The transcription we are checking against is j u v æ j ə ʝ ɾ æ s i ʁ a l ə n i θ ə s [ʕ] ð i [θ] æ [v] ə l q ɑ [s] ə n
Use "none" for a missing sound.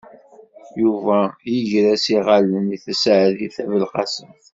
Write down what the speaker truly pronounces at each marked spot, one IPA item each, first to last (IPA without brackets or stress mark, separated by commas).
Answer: ʕ, θ, v, s